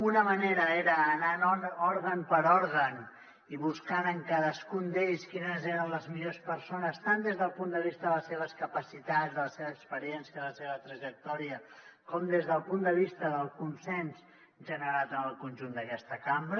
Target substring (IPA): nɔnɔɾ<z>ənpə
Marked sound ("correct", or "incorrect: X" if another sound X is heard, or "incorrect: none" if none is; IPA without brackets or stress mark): incorrect: ɣ